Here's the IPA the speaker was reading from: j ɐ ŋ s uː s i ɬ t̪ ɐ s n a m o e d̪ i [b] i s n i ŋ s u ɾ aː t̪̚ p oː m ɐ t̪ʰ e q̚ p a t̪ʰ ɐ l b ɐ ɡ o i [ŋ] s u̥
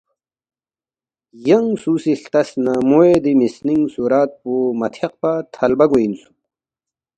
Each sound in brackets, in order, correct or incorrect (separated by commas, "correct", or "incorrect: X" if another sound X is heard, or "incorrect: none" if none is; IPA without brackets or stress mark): incorrect: m, incorrect: n